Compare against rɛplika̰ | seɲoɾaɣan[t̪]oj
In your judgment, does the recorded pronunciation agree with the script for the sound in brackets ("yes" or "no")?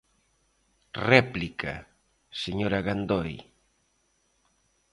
no